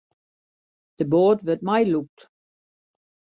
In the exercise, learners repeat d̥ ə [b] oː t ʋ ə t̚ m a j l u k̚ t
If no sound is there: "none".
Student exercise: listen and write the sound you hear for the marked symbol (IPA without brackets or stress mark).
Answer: b